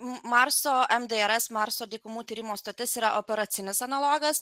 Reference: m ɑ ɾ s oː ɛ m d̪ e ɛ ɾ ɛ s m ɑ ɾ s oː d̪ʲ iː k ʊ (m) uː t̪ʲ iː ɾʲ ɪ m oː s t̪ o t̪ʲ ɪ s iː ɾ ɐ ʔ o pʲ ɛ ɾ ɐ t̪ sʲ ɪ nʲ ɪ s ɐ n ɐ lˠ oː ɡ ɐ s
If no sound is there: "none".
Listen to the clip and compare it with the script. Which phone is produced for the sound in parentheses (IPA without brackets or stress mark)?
m